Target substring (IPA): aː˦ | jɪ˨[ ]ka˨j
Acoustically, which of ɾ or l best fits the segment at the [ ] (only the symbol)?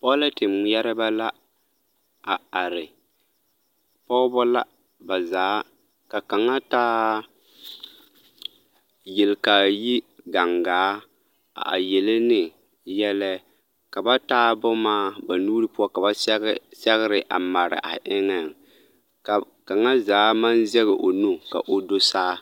l